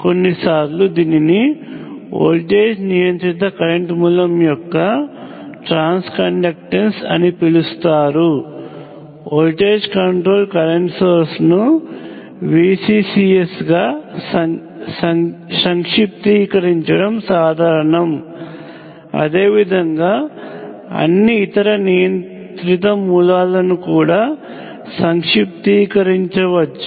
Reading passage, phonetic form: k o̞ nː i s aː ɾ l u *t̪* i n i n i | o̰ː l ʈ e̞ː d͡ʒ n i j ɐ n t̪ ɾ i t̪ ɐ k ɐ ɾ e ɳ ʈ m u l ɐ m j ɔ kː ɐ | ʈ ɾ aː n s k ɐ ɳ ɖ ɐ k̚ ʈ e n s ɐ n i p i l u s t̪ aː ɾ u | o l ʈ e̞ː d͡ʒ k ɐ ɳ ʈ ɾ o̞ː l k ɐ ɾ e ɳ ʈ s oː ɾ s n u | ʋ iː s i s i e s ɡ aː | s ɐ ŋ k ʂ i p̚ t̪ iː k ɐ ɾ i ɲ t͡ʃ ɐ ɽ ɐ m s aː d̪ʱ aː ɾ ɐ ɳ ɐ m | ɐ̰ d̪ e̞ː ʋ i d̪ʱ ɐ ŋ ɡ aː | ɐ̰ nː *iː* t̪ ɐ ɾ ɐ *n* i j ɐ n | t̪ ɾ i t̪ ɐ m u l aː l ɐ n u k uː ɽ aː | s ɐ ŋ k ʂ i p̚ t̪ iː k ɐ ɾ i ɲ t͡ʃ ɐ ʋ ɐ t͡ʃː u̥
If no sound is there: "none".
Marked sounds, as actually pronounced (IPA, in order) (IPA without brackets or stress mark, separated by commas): d̪, iː, n